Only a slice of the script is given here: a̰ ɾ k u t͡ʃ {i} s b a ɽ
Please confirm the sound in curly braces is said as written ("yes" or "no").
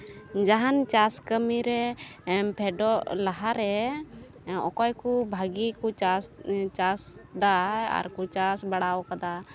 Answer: no